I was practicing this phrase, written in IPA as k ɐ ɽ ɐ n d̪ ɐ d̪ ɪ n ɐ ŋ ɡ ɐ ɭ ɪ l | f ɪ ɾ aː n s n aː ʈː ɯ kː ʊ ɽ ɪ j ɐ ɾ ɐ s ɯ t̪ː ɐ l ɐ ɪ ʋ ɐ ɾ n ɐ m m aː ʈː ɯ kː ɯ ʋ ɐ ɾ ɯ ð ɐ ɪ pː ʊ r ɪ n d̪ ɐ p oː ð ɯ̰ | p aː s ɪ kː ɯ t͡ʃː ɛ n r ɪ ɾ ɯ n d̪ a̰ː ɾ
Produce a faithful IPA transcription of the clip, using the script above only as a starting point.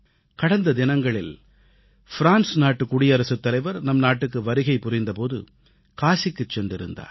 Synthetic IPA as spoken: k ɐ ɽ ɐ n d̪ ɐ d̪ ɪ n ɐ ŋ ɡ ɐ ɭ ɪ l | f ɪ ɾ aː n s n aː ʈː ɯ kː ʊ ɽ ɪ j ɐ ɾ ɐ s ɯ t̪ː ɐ l ɐ ɪ ʋ ɐ ɾ n ɐ m n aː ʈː ɯ kː ɯ ʋ ɐ ɾ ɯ ɣ ɐ ɪ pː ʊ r ɪ n d̪ ɐ p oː ð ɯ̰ | k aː s ɪ kː ɯ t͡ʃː ɛ n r ɪ ɾ ɯ n d̪ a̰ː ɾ